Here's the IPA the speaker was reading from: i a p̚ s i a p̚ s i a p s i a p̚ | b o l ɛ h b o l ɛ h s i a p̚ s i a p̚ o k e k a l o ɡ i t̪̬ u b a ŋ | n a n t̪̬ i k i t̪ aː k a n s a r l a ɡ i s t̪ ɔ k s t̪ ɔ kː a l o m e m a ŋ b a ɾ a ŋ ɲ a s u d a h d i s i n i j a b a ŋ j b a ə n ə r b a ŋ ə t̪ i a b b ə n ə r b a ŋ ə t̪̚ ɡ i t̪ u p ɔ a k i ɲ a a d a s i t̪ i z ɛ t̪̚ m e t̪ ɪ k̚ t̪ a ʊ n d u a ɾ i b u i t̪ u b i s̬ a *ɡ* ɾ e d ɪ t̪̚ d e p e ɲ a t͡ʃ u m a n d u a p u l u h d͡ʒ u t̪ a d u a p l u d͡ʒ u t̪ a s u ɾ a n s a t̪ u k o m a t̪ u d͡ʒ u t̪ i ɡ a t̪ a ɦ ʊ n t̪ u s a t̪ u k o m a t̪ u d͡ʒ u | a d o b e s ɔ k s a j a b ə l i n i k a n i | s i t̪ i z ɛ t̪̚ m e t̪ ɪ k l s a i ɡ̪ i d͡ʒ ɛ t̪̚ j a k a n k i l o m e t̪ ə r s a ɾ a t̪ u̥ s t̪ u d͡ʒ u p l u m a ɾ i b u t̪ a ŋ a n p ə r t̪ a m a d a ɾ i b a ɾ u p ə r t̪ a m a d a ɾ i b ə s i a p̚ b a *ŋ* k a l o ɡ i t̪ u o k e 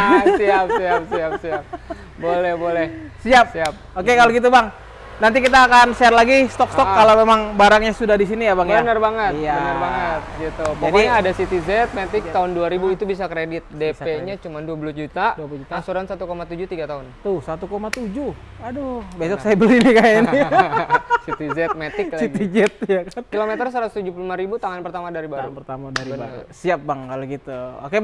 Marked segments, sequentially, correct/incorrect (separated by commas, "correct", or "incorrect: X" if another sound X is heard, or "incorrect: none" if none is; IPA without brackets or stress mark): incorrect: k, correct